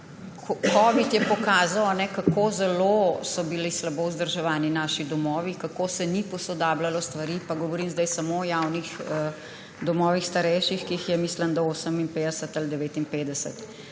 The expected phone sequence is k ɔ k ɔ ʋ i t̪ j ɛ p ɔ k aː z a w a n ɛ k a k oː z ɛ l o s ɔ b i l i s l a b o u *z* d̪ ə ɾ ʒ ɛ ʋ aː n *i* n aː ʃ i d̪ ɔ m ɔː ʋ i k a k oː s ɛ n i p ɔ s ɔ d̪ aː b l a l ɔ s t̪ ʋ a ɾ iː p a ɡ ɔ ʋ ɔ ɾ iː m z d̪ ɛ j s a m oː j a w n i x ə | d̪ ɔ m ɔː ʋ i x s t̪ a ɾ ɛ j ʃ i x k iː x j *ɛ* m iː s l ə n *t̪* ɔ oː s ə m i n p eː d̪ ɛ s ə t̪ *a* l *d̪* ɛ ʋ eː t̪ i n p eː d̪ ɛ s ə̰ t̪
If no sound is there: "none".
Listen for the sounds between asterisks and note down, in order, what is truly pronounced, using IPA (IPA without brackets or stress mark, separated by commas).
z, i, ɛ, d̪, a, d̪